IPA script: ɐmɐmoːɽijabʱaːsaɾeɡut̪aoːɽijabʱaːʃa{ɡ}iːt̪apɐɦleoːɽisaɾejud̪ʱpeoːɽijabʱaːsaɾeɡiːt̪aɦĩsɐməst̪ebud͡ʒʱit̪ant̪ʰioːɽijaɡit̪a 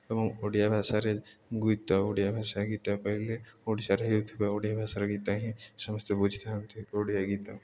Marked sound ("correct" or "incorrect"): correct